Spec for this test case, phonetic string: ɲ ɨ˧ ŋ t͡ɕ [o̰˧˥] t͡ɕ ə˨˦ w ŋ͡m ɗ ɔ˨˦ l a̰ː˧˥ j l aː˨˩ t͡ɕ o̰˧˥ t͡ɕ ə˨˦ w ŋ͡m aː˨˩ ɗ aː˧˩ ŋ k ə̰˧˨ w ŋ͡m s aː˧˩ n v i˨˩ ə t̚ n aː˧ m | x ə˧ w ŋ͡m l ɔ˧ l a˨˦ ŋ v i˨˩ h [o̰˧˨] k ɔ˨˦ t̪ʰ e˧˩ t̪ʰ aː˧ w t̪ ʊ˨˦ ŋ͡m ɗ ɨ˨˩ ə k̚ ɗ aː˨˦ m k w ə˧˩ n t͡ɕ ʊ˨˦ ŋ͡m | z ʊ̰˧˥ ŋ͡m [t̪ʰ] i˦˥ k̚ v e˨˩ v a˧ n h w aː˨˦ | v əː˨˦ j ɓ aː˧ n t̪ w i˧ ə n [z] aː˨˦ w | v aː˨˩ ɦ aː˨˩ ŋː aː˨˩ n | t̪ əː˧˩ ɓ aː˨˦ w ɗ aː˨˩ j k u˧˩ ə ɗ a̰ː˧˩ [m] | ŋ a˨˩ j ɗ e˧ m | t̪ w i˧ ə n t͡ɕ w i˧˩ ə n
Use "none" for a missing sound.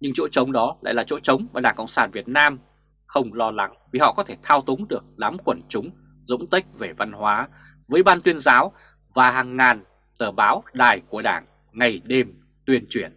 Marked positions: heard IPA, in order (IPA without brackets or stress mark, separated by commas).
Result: o̰˧˥, ɔ̰˧˨, t̪, z, ŋ